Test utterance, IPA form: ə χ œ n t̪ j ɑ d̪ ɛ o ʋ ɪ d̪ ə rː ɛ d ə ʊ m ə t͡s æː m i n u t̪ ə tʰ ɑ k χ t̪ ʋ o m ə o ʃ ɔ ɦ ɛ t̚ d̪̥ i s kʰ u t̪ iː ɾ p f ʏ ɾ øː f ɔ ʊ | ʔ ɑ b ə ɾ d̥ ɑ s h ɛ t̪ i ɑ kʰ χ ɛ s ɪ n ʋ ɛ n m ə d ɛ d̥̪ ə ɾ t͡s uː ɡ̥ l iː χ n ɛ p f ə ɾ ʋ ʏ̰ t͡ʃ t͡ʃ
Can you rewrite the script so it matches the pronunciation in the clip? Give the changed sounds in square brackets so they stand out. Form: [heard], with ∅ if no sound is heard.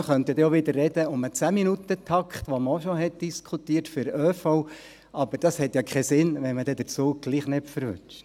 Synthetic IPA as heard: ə χ œ n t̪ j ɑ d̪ ɛ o ʋ ɪ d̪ ə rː ɛ d ə ʊ m ə t͡s æː m i n u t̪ ə tʰ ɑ k χ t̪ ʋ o m ə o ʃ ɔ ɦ ɛ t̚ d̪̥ i s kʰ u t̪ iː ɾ [t] f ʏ ɾ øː f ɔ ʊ | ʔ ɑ b ə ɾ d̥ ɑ s h ɛ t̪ [j] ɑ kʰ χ ɛ s ɪ n ʋ ɛ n m ə d ɛ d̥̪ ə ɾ t͡s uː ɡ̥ l iː χ n ɛ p f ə ɾ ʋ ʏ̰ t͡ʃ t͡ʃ